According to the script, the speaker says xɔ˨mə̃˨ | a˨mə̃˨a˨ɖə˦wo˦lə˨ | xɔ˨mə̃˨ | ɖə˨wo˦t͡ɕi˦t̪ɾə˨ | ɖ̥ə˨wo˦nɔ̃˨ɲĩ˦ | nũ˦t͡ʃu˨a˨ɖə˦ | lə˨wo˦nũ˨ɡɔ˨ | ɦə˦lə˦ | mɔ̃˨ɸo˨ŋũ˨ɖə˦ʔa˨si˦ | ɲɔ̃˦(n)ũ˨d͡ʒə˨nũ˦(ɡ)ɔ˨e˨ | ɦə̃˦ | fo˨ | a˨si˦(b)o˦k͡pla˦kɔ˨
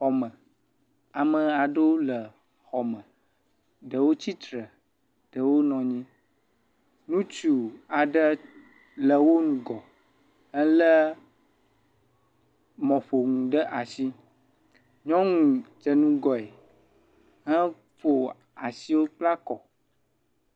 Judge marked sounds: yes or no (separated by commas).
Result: no, yes, no